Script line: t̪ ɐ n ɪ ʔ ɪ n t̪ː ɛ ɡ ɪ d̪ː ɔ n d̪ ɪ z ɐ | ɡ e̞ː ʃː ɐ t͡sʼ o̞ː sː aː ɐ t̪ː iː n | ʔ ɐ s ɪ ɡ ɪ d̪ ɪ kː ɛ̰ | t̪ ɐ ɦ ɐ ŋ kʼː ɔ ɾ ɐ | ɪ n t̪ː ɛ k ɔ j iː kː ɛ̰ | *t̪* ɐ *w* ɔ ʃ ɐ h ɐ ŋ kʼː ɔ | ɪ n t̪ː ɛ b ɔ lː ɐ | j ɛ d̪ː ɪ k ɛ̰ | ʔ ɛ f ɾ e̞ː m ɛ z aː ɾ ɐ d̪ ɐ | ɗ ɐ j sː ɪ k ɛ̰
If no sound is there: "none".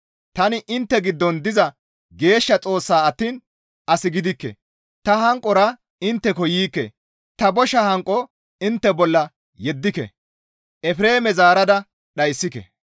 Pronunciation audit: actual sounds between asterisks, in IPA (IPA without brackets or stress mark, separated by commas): t̪, b